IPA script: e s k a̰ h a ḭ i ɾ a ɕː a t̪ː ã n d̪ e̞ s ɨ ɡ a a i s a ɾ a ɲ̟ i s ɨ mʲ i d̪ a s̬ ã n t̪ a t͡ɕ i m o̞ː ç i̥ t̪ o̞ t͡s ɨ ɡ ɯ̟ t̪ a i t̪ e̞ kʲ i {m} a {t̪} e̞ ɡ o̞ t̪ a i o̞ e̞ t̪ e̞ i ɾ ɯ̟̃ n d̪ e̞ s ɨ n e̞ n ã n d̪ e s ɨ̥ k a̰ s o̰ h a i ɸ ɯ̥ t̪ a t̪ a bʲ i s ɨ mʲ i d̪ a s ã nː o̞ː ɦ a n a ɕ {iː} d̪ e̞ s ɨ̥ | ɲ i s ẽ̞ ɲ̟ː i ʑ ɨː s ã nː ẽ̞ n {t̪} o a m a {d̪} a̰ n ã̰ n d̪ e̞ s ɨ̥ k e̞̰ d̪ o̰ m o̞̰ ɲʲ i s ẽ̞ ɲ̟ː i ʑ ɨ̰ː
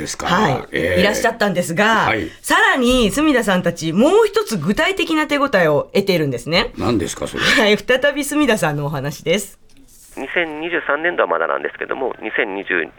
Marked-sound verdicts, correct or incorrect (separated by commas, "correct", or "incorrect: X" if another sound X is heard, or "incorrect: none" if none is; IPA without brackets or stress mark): incorrect: n, correct, incorrect: i, incorrect: d̪, correct